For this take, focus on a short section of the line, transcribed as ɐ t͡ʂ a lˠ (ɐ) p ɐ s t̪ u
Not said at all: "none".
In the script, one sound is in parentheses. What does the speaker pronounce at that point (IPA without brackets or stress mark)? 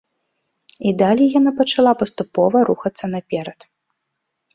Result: a